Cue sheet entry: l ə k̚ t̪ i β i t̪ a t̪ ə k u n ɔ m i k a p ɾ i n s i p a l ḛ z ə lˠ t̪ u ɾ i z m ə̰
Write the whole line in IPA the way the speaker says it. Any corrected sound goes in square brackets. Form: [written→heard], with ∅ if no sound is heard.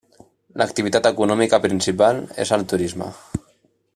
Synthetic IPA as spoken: l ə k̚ t̪ i β i t̪ a t̪ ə k u n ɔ m i k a p ɾ i n s i p a l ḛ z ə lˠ t̪ u ɾ i z m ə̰